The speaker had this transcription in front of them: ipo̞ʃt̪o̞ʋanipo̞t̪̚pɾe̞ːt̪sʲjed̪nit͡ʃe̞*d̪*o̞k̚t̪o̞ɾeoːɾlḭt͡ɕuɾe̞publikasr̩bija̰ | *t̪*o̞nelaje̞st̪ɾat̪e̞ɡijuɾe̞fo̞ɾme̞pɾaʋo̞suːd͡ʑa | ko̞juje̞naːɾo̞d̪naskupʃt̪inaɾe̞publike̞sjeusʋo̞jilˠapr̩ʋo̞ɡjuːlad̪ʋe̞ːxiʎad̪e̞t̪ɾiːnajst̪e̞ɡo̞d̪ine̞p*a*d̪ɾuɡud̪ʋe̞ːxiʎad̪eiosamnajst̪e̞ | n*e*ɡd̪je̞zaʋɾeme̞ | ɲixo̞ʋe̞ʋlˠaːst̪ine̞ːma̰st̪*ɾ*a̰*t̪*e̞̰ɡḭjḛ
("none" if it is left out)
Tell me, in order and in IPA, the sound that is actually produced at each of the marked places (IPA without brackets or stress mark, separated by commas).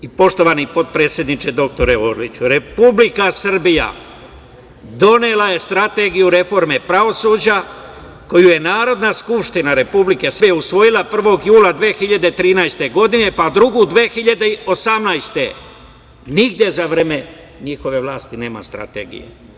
d̪, d̪, a, i, ɾ, t̪